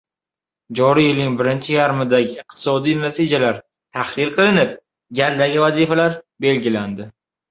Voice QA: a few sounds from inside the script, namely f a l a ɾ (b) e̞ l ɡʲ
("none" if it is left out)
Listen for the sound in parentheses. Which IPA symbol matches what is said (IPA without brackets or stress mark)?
b